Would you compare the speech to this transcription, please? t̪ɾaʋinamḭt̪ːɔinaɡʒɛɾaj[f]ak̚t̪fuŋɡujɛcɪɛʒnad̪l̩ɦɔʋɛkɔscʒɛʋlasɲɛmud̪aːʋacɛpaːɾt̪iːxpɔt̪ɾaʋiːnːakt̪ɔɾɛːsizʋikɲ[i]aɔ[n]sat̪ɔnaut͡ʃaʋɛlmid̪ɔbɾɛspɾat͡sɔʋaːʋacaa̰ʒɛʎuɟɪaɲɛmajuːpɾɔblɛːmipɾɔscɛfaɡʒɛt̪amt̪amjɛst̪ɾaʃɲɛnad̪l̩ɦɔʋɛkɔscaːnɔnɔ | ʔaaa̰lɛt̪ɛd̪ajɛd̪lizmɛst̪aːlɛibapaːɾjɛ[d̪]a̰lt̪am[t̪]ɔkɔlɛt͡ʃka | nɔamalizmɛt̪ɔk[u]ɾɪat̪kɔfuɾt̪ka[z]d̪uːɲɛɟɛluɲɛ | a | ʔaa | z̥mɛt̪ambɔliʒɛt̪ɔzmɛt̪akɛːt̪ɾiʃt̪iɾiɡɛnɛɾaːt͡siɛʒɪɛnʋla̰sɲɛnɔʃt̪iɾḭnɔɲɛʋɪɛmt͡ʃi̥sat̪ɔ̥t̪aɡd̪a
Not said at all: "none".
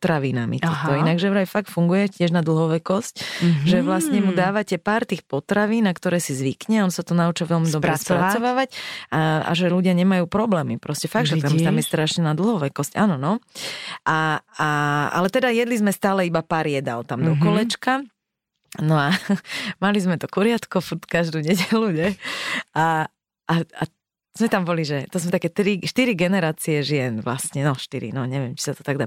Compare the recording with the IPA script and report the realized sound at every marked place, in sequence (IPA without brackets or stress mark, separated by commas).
f, ɛ, n, d̪, d̪, u, ʒ